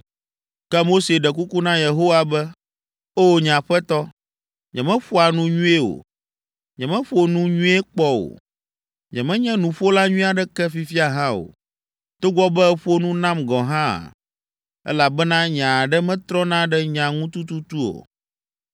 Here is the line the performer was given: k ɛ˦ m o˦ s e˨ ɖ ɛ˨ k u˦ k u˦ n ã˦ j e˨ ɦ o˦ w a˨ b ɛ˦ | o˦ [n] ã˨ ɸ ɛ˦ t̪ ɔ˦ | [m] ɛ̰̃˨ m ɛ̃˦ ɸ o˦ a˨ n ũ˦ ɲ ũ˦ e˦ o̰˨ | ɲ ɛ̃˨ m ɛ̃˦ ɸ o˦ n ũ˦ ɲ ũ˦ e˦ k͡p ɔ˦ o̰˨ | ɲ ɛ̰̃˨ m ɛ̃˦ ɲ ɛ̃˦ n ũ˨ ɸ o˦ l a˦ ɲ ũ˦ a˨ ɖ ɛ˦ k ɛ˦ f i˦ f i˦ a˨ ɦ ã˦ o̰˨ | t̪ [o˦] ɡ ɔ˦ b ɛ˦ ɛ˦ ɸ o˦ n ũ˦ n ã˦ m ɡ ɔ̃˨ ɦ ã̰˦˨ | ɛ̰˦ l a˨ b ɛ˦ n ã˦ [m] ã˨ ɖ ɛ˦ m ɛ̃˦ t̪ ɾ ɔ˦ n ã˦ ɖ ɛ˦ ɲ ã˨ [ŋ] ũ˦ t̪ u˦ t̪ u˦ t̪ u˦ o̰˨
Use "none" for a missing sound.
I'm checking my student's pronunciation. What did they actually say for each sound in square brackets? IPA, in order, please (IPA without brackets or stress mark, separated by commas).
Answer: ɲ, ɲ, o˦, ɲ, ŋ